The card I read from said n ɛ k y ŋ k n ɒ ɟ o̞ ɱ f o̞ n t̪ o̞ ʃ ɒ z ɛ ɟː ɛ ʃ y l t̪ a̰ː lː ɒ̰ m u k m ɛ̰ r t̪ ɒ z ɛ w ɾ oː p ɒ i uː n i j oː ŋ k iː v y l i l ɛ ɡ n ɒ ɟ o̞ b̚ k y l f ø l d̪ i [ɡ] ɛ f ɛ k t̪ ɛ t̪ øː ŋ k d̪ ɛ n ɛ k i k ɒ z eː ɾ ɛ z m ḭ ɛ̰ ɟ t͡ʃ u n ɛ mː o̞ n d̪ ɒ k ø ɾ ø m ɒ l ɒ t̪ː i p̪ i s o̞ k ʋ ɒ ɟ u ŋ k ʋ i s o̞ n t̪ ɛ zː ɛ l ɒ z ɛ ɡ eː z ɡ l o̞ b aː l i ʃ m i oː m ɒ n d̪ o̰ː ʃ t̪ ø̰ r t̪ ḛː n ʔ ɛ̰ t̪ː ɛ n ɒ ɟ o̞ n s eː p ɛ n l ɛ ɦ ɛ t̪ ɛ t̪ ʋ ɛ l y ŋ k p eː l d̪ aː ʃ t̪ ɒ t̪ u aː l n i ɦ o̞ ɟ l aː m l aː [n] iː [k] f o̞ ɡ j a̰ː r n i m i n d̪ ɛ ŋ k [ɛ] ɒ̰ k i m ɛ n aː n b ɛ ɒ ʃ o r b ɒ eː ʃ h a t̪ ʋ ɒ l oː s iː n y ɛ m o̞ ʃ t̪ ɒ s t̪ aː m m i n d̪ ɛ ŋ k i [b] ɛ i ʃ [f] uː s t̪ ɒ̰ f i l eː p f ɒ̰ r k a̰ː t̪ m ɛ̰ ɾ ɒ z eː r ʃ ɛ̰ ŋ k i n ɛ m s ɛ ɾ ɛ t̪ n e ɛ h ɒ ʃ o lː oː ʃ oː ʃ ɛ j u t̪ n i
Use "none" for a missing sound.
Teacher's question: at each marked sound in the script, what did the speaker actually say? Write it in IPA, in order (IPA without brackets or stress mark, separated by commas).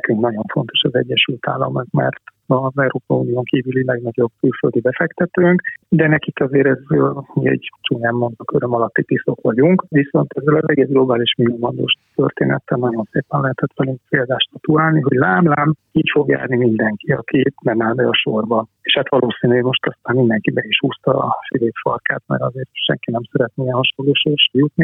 b, m, c, i, b, h